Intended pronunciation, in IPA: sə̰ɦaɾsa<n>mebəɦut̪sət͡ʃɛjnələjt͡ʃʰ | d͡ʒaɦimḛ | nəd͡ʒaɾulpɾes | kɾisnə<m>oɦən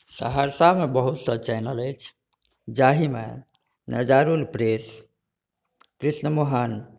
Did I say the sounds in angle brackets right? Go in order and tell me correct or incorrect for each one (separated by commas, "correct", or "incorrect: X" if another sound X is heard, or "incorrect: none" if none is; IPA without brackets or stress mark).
incorrect: none, correct